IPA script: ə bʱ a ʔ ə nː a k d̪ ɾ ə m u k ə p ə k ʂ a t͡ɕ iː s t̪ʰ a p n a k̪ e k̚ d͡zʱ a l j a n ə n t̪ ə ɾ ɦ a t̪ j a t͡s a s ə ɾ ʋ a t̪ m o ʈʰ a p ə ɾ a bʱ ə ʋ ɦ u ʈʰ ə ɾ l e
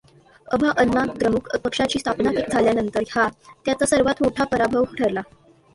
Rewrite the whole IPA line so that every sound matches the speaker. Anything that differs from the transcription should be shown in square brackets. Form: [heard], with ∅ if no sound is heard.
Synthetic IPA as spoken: ə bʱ a ʔ ə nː a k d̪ ɾ ə m u k ə p ə k ʂ a t͡ɕ iː s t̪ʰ a p n a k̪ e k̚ d͡zʱ a l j a n ə n t̪ ə ɾ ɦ a t̪ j a t͡s a s ə ɾ ʋ a t̪ m o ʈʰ a p ə ɾ a bʱ ə ʋ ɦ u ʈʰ ə ɾ l [a]